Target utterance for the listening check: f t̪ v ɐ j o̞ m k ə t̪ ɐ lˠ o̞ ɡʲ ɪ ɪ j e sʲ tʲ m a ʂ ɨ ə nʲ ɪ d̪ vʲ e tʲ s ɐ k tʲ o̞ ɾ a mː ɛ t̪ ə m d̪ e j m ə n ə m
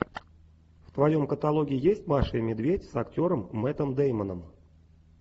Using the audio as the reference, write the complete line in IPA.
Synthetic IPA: f t̪ v ɐ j o̞ m k ə t̪ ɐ lˠ o̞ ɡʲ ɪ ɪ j e sʲ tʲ m a ʂ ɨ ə mʲ ɪ d̪ vʲ e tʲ s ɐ k tʲ o̞ ɾ ə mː ɛ t̪ ə m d̪ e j m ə n ə m